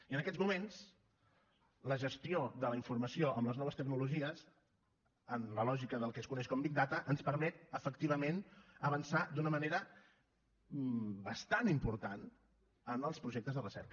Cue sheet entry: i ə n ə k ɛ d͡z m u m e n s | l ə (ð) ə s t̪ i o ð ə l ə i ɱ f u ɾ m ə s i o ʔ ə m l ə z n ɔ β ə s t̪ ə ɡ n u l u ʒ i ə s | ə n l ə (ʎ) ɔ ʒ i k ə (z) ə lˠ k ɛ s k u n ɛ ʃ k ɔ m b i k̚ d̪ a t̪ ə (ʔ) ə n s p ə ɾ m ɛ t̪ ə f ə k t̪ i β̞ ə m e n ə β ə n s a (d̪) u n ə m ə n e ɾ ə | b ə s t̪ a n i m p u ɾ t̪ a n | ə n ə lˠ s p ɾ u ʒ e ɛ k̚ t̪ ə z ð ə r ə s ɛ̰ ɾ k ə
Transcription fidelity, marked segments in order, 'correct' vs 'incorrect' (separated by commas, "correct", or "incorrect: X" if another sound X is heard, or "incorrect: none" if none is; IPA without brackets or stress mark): incorrect: ʒ, incorrect: l, incorrect: ð, correct, correct